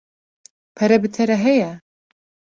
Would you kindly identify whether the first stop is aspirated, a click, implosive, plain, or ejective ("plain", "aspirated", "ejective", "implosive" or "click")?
aspirated